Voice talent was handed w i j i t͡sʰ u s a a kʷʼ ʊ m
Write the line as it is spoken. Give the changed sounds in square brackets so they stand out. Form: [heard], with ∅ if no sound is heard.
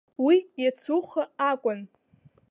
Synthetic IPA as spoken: w i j [a] t͡sʰ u [χ] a a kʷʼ ʊ [n]